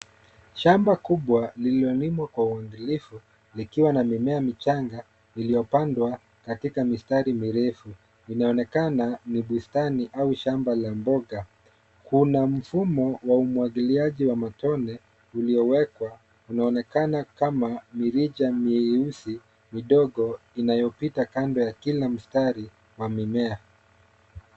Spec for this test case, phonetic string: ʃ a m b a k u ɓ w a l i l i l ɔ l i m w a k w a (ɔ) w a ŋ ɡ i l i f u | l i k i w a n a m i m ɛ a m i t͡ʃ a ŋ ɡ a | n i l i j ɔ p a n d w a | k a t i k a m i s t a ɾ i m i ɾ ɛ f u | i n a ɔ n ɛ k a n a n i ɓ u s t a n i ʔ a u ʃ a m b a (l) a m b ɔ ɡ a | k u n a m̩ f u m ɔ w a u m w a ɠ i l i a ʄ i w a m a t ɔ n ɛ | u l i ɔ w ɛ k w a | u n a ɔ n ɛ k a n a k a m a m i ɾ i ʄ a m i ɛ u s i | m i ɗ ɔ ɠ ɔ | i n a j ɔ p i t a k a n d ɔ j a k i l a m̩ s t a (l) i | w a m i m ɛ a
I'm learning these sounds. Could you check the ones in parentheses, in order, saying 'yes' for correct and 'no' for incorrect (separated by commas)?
no, yes, no